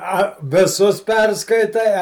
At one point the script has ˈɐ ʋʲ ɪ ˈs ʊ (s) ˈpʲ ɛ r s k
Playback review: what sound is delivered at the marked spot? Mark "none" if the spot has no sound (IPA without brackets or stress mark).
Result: s